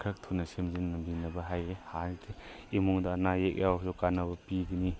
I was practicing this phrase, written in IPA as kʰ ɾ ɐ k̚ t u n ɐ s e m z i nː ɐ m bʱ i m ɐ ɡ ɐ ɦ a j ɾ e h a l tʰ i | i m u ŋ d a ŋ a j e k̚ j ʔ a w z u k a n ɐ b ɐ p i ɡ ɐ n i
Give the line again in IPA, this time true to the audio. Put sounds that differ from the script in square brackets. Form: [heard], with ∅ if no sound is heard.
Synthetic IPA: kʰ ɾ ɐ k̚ [tʰ] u n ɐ s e m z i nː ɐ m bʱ i [n] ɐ [b] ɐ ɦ a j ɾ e h a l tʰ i | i m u ŋ d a [n] a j e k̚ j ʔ a w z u k a n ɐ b ɐ p i ɡ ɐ n i